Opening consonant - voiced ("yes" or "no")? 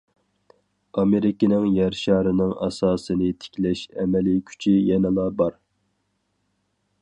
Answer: yes